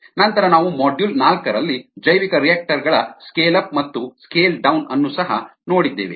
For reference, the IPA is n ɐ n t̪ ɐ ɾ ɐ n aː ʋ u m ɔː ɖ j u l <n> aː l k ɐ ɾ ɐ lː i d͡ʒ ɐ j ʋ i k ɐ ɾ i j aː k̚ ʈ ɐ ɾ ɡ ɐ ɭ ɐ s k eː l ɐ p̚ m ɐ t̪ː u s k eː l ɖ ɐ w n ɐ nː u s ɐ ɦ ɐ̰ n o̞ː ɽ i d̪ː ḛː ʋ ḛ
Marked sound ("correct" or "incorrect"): correct